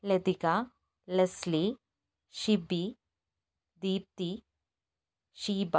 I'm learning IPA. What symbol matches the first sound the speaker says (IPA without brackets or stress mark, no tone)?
l